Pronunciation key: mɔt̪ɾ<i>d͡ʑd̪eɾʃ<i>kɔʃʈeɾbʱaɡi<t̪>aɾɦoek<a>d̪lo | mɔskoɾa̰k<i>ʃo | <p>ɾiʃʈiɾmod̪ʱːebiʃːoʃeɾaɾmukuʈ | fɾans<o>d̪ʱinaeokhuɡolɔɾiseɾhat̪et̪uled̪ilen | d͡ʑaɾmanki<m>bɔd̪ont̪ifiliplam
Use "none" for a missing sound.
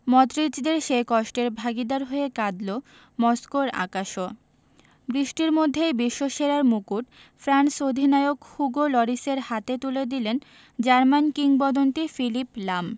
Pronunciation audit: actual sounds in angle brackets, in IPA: i, e, d̪, a, a, b, o, ŋ

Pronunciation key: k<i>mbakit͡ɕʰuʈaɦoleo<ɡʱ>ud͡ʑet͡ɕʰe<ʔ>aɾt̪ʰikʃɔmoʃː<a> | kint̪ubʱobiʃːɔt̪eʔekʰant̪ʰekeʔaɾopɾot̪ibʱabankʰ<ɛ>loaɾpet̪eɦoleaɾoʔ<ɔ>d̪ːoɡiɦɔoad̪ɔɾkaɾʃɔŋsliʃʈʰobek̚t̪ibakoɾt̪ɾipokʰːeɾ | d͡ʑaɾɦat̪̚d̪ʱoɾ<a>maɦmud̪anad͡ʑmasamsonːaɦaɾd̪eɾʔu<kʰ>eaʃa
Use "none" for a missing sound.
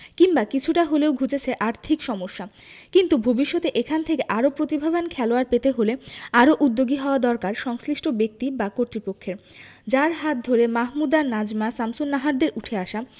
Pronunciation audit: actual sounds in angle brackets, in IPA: i, ɡʱ, ʔ, a, ɛ, u, e, ʈʰ

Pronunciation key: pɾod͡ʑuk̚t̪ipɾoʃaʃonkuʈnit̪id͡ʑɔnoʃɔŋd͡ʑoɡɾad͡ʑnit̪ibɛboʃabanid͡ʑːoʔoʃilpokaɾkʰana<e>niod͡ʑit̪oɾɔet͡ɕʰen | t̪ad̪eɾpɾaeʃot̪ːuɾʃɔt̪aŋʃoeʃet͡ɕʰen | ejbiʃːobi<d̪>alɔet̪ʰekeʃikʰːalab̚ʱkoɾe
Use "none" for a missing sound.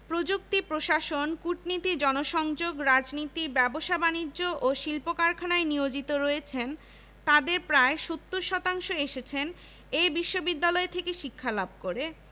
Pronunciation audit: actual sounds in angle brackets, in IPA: e, d̪ː

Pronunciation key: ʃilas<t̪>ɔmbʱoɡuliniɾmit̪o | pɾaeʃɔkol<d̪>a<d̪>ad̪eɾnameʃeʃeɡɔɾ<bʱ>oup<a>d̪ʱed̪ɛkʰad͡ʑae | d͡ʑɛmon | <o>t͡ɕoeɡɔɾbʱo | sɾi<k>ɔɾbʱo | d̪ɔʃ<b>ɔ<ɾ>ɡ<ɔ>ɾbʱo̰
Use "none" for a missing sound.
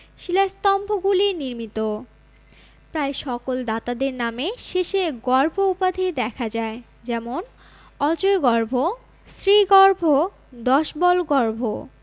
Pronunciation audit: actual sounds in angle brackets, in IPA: t̪, d̪, t̪, bʱ, a, ɔ, ɡ, b, l, ɔ

